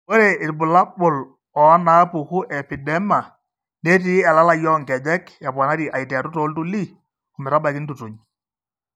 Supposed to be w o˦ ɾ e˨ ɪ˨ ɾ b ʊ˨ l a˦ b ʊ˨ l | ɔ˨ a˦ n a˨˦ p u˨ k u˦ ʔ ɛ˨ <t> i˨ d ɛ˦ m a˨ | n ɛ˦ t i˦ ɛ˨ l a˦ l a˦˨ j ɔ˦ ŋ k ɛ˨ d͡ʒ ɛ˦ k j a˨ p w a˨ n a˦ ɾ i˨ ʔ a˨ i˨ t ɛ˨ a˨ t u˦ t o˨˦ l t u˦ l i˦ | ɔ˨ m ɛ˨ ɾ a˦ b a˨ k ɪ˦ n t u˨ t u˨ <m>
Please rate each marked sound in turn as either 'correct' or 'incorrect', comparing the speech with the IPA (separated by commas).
incorrect, incorrect